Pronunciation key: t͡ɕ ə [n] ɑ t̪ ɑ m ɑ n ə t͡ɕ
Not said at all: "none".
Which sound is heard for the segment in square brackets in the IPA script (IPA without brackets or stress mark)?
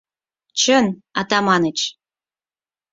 n